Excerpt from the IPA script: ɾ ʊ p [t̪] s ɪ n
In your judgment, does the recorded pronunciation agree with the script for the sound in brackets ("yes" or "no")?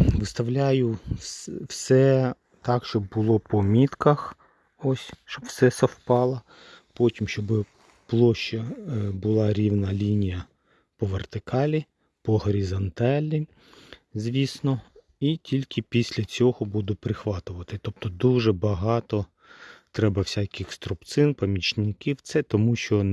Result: yes